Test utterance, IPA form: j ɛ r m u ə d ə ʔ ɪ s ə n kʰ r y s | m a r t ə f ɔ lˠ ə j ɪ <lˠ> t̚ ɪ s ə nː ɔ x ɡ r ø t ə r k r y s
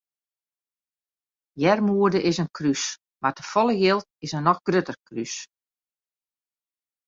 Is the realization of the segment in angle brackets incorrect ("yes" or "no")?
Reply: no